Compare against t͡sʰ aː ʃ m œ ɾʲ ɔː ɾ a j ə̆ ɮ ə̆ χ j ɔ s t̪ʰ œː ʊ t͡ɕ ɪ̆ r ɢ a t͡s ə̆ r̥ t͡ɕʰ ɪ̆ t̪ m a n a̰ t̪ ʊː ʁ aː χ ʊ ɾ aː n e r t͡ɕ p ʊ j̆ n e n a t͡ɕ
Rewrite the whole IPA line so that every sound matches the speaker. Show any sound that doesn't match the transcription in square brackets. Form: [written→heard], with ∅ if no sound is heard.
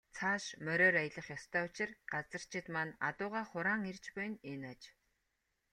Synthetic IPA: t͡sʰ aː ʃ m œ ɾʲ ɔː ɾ a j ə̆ ɮ ə̆ χ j ɔ s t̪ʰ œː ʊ t͡ɕ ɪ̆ r ɢ a t͡s ə̆ r̥ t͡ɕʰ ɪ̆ t̪ m a n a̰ t̪ ʊː ʁ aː χ ʊ ɾ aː [n→ŋ] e r t͡ɕ p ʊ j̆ n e n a t͡ɕ

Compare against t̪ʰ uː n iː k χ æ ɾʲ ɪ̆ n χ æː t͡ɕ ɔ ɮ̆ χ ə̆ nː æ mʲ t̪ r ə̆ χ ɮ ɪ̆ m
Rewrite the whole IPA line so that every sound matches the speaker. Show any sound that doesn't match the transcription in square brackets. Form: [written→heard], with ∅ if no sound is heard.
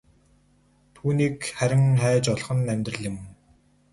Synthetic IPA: t̪ʰ uː n iː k χ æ ɾʲ ɪ̆ [n→ŋ] χ æː t͡ɕ ɔ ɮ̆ χ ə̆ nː æ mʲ t̪ r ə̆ [χ→∅] ɮ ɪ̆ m

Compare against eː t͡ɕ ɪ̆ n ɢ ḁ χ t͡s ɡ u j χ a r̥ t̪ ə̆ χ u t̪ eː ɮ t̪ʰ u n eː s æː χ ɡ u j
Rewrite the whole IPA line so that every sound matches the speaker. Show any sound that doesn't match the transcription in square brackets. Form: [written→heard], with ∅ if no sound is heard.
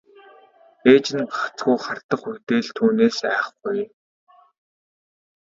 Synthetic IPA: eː t͡ɕ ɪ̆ n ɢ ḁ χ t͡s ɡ u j χ a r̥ t̪ ə̆ χ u t̪ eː ɮ t̪ʰ [u→uː] n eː s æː χ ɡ u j

